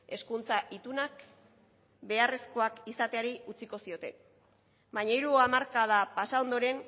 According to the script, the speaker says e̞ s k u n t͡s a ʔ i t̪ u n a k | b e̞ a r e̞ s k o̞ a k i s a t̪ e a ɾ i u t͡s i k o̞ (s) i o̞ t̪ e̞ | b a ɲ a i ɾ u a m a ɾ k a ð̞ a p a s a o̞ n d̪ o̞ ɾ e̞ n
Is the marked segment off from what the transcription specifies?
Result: no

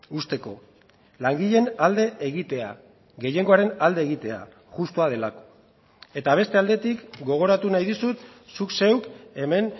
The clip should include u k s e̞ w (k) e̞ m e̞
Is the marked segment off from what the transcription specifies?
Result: no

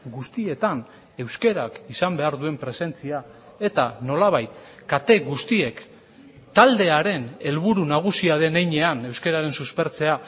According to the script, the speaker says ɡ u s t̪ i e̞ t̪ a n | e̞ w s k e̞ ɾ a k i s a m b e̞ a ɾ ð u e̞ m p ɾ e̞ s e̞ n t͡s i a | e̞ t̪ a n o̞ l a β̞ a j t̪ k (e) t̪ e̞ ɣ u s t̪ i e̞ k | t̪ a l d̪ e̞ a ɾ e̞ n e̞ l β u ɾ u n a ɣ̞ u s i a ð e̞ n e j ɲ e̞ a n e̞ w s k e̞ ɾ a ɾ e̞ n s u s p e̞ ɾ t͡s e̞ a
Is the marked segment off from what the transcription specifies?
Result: yes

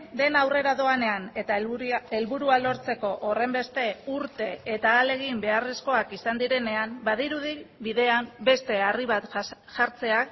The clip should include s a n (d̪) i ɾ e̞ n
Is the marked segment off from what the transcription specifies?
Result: no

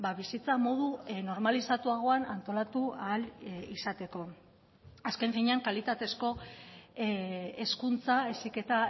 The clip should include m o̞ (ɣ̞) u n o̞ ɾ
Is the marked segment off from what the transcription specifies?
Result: yes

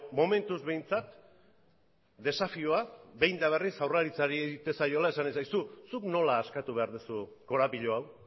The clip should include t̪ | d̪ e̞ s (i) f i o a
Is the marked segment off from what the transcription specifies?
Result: yes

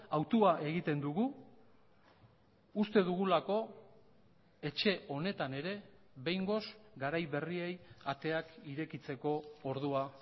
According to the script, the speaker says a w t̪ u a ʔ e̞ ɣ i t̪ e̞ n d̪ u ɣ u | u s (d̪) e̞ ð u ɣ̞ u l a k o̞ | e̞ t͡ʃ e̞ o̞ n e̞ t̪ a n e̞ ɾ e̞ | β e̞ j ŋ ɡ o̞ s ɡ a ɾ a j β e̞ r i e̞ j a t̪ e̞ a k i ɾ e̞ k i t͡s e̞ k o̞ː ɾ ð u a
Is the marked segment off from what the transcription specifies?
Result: yes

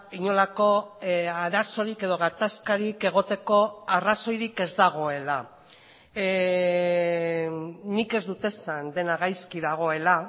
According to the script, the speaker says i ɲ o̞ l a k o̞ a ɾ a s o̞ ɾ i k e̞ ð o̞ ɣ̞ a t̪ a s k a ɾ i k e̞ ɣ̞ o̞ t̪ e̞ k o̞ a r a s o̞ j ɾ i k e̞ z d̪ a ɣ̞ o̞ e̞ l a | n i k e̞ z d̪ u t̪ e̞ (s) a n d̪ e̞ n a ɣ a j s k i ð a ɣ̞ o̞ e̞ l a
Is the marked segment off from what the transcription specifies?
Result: no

